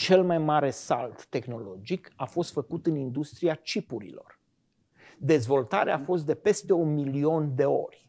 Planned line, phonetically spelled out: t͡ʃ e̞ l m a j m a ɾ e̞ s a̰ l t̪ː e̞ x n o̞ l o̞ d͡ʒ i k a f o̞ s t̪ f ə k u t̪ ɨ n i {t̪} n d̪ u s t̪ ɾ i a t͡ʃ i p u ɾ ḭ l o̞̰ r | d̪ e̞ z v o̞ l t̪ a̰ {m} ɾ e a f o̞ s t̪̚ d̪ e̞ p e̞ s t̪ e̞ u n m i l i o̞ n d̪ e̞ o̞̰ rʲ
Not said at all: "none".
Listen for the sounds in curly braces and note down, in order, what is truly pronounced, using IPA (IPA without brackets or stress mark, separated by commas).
none, none